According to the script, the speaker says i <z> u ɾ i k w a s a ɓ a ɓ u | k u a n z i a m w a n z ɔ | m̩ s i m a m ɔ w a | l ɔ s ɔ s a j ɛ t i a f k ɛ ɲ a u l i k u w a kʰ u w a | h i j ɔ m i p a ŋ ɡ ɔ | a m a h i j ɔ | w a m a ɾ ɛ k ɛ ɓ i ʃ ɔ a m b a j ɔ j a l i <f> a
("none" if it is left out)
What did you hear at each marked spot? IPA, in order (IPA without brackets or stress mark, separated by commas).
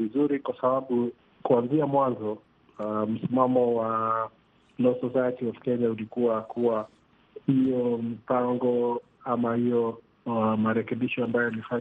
z, f